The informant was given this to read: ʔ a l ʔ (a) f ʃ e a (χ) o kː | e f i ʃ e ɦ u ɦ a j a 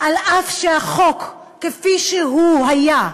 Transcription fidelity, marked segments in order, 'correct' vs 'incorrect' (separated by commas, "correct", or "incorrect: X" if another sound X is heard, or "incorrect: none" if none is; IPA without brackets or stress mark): correct, correct